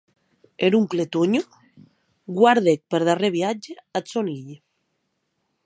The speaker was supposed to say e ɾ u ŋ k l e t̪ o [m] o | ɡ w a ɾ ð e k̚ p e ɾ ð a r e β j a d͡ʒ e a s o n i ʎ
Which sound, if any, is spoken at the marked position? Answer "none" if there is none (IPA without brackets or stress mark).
ɲ